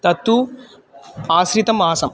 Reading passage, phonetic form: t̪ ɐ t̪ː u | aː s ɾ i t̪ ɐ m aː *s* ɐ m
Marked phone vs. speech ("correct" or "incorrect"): correct